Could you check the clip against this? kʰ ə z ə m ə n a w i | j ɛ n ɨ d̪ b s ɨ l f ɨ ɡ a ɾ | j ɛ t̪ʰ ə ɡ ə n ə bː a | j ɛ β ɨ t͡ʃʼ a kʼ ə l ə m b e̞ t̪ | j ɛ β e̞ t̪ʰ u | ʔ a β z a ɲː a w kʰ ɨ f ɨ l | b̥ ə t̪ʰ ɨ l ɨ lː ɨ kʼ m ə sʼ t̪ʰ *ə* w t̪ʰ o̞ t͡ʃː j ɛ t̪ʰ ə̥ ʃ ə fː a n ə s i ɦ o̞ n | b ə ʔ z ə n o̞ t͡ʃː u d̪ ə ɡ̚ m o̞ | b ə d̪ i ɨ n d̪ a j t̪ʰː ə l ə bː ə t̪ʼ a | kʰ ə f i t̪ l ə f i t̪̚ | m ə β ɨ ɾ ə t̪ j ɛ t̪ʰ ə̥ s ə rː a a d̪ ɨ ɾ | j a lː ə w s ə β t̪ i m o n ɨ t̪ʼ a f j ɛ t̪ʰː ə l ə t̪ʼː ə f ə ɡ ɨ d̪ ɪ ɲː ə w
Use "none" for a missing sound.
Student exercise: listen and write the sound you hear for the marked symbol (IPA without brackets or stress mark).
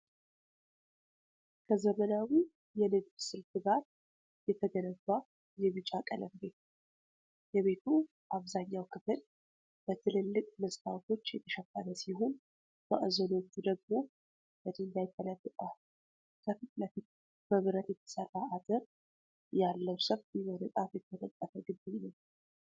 a